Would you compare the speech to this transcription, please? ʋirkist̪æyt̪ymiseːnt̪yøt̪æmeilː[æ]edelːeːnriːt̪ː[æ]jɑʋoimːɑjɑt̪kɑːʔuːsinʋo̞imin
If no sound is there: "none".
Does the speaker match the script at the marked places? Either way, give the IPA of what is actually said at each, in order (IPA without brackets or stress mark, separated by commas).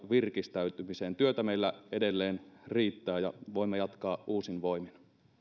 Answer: æ, æː